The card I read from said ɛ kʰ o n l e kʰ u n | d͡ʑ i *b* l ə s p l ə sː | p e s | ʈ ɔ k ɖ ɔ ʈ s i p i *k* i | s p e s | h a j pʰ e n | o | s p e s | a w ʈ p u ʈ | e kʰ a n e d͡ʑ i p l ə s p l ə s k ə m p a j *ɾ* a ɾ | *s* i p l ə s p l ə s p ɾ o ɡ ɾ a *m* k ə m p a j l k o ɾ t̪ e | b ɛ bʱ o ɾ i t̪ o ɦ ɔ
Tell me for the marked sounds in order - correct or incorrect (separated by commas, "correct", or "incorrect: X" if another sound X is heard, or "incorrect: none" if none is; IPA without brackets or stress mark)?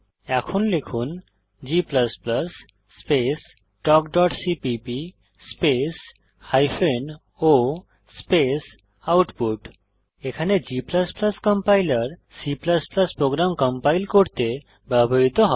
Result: incorrect: p, incorrect: p, incorrect: l, correct, correct